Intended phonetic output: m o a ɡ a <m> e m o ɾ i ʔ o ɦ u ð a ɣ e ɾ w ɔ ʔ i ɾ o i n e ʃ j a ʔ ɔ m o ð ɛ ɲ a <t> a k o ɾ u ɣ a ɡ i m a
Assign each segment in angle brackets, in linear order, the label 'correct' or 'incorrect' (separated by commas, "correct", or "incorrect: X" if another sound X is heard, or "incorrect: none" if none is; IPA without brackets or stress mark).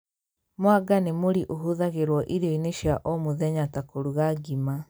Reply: incorrect: n, correct